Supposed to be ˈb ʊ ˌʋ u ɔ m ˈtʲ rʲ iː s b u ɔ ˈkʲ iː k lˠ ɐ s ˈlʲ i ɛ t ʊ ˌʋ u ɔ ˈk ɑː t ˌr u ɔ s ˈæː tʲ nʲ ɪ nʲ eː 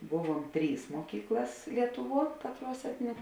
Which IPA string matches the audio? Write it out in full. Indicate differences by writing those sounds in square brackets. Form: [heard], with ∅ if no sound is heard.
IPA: ˈb ʊ ˌʋ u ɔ m ˈtʲ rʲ iː s [m] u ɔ ˈkʲ iː k lˠ ɐ s ˈlʲ i ɛ t ʊ ˌʋ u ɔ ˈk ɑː t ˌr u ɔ s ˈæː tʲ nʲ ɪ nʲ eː